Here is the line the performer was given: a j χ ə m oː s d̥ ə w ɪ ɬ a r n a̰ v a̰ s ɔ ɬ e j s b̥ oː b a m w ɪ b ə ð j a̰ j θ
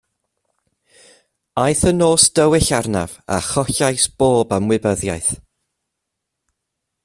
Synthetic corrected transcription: a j θ ə n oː s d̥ ə w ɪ ɬ a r n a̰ v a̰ χ ɔ ɬ a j s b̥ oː b a m w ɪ b ə ð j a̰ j θ